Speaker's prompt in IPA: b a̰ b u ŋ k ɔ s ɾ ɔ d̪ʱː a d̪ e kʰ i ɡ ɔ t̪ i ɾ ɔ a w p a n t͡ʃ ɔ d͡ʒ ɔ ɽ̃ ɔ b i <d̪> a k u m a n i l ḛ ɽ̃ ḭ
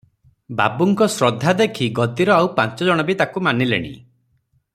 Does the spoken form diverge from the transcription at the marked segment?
yes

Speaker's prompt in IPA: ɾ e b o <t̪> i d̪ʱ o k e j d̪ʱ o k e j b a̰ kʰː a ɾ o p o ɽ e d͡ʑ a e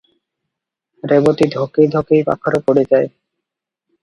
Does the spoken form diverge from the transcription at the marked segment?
no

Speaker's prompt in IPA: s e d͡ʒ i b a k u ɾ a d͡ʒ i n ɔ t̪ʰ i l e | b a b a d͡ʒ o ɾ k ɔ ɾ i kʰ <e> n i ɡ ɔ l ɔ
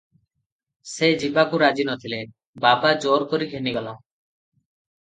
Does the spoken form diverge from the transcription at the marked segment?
no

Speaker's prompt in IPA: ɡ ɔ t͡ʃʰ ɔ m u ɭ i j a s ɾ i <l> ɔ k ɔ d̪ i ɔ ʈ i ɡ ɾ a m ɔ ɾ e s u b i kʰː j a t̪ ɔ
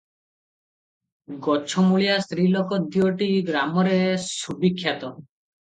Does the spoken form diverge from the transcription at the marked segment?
no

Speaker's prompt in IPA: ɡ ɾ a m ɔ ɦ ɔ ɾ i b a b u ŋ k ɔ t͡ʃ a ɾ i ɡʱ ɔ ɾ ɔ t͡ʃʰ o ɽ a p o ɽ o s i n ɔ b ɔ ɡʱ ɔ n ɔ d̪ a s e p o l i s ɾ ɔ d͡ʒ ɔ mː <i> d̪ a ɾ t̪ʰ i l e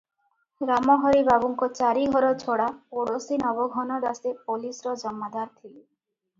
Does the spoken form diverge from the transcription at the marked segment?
yes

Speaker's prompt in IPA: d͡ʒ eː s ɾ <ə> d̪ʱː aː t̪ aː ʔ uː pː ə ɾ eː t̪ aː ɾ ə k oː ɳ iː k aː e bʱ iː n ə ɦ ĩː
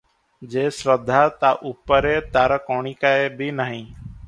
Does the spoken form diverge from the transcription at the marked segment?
no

